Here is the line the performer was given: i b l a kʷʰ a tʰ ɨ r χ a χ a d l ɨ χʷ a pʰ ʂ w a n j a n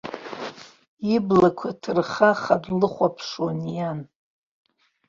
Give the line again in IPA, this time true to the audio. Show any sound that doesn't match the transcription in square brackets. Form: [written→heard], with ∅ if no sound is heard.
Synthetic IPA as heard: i b l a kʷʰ a tʰ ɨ r χ a χ a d l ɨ χʷ a pʰ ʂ w a n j a n